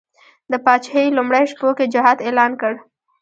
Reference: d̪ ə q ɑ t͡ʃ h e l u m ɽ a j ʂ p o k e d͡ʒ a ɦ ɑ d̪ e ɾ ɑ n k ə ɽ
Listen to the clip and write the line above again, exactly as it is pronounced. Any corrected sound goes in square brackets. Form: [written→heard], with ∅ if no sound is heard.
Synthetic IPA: d̪ ə [q→p] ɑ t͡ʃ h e l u m ɽ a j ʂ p o k e d͡ʒ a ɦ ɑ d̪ e [ɾ→l] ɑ n k ə ɽ